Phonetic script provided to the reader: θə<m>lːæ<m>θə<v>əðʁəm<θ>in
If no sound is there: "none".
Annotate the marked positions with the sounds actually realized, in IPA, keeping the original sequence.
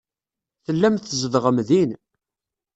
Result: none, m, z, ð

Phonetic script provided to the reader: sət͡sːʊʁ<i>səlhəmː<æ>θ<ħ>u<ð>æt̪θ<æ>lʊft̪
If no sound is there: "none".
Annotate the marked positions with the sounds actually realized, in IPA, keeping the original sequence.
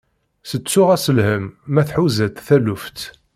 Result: æ, æ, ħ, z, æ

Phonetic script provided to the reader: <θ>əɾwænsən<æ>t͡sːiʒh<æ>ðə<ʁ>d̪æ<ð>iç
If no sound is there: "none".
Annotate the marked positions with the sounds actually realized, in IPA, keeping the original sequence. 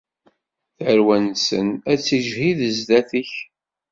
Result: θ, æ, i, z, θ

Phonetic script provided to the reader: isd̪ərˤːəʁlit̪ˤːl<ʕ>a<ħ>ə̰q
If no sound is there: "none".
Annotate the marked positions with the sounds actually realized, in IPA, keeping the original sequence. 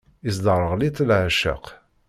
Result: ʕ, ʃ

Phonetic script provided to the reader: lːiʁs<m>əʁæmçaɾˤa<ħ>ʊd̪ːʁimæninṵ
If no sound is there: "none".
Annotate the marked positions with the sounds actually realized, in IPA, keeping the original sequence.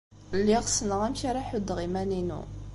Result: n, ħ

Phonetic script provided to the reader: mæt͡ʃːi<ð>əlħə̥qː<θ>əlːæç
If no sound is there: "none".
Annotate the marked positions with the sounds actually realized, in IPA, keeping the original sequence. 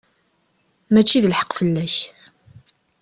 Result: ð, f

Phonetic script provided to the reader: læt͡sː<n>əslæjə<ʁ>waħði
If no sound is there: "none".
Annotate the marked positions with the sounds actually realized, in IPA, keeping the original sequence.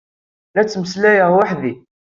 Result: m, ʁ

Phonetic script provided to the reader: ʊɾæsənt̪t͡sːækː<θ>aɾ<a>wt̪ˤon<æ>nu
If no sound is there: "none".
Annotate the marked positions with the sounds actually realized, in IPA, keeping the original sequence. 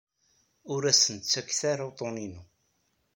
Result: θ, a, i

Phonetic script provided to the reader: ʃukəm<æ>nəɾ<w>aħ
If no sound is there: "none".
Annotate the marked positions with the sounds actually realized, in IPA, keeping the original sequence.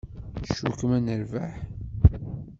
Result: æ, v

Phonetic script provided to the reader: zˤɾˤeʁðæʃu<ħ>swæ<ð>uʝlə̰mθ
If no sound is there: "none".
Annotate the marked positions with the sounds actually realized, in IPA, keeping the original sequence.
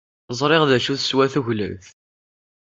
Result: θ, θ

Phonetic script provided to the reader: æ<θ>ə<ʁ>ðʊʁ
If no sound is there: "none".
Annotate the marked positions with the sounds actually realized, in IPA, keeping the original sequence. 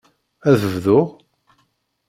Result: ð, v

